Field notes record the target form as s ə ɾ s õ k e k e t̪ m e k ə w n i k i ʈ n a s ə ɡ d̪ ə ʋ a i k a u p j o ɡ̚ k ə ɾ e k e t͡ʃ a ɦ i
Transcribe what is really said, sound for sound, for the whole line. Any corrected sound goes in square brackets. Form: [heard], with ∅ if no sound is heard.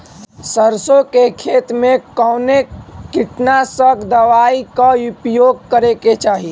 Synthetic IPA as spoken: s ə ɾ s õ k e [kʰ] e t̪ m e k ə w n [e] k i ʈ n a s ə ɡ d̪ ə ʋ a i k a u p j o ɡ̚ k ə ɾ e k e t͡ʃ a ɦ i